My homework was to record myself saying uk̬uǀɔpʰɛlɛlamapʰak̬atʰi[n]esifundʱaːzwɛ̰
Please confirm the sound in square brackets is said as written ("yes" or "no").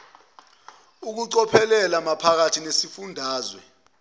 yes